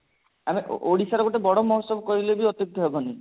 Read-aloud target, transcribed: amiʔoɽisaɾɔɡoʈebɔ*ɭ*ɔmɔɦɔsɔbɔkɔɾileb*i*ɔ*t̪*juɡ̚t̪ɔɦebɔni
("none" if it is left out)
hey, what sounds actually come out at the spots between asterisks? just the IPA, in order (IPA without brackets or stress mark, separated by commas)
ɽ, i, t̪